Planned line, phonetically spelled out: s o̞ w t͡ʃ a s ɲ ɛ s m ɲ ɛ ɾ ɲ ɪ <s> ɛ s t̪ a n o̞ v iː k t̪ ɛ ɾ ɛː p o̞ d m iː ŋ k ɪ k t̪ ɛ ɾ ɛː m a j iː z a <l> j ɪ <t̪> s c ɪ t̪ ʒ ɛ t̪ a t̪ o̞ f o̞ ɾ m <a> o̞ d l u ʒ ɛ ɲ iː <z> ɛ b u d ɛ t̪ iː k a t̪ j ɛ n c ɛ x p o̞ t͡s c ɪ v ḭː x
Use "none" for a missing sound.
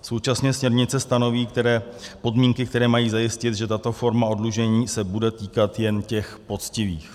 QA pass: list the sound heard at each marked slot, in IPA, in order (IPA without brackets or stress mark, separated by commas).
t͡s, none, none, a, s